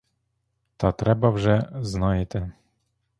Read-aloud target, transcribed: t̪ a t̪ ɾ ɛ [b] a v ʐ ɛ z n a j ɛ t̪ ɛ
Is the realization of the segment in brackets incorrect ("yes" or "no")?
no